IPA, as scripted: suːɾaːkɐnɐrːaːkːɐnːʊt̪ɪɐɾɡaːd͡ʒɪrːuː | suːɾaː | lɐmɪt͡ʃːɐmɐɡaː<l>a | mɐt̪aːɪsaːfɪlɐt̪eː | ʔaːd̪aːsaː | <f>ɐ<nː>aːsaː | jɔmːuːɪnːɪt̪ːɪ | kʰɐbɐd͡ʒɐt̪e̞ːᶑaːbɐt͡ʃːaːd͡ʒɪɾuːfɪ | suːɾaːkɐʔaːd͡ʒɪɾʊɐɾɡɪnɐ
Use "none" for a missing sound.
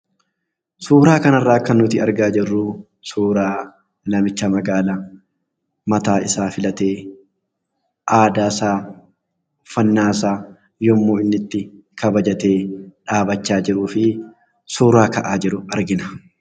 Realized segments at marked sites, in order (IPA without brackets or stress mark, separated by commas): l, f, nː